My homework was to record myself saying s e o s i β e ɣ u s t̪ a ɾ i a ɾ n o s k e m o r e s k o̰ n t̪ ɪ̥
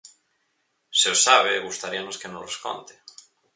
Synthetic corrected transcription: s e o s a β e ɣ u s t̪ a ɾ i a n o s k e n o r e s k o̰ n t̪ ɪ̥